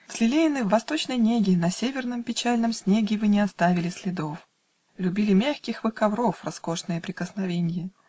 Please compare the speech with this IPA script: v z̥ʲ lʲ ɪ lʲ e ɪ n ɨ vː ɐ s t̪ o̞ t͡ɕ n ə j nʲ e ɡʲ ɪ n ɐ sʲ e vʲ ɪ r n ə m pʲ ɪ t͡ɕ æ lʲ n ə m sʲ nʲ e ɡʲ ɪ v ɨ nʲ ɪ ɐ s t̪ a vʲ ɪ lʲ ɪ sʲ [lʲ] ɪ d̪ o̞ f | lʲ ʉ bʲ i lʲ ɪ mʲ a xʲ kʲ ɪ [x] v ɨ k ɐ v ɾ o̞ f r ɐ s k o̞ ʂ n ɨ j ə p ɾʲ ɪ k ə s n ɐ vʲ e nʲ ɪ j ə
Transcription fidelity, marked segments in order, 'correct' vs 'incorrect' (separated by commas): correct, correct